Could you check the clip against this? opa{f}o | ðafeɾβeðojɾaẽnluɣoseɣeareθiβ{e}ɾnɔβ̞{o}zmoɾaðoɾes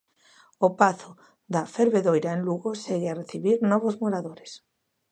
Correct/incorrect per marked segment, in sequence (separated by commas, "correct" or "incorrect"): incorrect, incorrect, correct